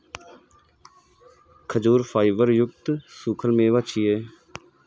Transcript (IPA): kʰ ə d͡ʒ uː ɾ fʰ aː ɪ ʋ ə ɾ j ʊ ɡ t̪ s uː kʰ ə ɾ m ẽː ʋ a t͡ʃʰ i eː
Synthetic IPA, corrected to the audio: kʰ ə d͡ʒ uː ɾ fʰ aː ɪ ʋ ə ɾ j ʊ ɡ t̪ s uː kʰ ə l m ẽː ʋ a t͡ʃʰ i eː